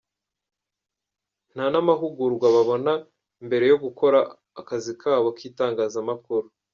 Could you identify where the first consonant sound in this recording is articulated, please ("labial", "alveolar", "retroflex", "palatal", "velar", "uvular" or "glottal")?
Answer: alveolar